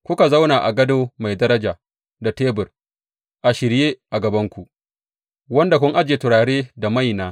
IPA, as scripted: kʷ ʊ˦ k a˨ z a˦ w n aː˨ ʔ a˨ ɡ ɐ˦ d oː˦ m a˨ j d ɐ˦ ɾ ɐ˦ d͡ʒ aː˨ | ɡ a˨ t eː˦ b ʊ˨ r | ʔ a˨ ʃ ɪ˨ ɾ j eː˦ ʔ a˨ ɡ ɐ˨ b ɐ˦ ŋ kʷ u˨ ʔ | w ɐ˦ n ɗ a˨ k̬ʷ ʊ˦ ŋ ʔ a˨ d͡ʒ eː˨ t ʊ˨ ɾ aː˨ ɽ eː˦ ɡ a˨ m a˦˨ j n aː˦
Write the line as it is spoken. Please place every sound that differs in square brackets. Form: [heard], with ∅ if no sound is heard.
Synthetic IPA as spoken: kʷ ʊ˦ k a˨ z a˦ w n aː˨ ʔ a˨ ɡ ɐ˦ d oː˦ m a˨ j d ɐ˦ ɾ ɐ˦ d͡ʒ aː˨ | [d] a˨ t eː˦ b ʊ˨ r | ʔ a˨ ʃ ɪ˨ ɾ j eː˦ ʔ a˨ ɡ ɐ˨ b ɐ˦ ŋ kʷ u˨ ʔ | w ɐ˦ n [d] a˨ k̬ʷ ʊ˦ ŋ ʔ [a˦] d͡ʒ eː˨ t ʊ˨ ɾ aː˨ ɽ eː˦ [d] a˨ m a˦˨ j n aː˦

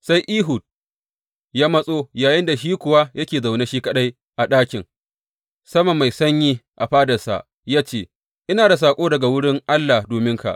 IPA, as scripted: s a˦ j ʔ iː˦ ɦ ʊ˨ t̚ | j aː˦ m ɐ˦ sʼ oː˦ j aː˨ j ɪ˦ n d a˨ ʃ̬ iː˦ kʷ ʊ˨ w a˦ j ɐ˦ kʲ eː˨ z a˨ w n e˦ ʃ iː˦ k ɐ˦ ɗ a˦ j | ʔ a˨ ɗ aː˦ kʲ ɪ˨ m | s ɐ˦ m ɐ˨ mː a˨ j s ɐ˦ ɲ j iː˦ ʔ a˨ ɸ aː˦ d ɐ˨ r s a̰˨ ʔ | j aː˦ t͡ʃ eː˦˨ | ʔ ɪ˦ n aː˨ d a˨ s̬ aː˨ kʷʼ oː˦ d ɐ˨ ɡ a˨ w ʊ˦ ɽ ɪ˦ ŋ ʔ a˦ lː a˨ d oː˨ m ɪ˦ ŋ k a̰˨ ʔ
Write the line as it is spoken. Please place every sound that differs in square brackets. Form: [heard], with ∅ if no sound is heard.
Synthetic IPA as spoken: s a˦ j ʔ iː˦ ɦ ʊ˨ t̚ | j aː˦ m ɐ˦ sʼ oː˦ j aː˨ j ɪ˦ n d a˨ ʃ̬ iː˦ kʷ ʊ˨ w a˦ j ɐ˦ kʲ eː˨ z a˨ w n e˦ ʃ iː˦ k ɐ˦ ɗ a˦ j | ʔ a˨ ɗ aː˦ kʲ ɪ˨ [ŋ] | s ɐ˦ m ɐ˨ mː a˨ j s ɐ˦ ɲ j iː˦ ʔ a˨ ɸ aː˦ d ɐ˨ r s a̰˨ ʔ | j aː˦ t͡ʃ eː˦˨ | ʔ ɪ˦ n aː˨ d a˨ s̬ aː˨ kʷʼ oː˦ d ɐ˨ ɡ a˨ w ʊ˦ ɽ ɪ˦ ŋ ʔ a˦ lː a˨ d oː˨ m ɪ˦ ŋ k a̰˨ ʔ

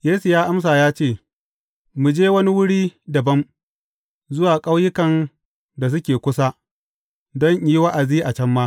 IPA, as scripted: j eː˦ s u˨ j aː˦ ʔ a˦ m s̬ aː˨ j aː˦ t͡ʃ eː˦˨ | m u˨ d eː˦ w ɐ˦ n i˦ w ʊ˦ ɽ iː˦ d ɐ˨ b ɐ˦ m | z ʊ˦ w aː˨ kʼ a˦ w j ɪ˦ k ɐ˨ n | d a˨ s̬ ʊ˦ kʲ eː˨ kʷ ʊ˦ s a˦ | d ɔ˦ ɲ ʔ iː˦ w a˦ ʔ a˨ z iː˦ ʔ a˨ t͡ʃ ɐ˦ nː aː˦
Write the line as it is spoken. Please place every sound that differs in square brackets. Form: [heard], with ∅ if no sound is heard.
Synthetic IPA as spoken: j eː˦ s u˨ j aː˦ ʔ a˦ m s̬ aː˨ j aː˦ t͡ʃ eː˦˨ | m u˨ [d͡ʒ] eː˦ w ɐ˦ n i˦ w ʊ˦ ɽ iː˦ d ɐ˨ b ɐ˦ m | z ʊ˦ w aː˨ kʼ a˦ w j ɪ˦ k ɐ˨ n | d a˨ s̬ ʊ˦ kʲ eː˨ kʷ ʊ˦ s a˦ | d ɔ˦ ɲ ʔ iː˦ w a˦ ʔ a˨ z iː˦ ʔ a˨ t͡ʃ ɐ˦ [mː] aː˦

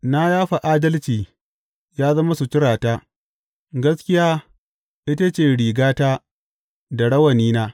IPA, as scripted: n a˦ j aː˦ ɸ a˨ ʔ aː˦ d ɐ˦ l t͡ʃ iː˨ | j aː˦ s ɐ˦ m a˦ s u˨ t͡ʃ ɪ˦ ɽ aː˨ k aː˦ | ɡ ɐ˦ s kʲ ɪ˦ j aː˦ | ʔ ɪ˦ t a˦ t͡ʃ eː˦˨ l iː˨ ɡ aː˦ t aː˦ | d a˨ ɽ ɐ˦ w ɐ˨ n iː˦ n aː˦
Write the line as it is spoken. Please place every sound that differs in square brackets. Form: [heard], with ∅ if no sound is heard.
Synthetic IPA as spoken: n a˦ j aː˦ ɸ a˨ ʔ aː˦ d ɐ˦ l t͡ʃ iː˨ | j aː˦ [z] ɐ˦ m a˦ s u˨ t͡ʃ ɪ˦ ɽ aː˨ [t] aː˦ | ɡ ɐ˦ s kʲ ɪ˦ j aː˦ | ʔ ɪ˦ t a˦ t͡ʃ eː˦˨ [ɽ] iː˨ ɡ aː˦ t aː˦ | d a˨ ɽ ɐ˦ w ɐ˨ n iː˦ n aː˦

